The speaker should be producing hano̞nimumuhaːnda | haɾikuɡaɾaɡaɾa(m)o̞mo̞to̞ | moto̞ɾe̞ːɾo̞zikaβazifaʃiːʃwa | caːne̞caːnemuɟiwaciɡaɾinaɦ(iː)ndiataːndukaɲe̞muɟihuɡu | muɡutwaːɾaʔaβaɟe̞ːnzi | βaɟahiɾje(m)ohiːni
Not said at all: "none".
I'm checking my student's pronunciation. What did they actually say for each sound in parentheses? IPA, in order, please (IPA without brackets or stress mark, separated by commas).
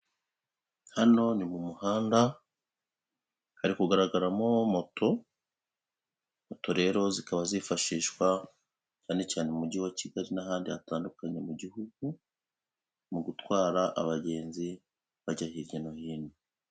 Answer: m, aː, n